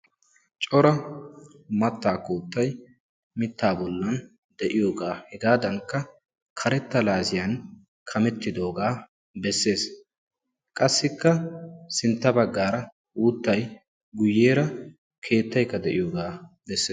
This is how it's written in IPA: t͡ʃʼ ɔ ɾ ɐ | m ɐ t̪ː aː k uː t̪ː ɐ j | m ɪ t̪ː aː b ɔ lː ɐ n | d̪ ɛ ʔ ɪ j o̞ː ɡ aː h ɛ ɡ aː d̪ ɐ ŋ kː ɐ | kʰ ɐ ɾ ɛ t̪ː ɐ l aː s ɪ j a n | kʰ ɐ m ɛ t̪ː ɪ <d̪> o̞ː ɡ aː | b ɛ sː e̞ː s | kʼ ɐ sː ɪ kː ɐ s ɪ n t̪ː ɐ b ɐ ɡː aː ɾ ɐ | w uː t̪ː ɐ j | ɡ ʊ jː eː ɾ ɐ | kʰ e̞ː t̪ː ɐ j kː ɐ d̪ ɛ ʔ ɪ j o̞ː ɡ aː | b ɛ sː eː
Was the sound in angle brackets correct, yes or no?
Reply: yes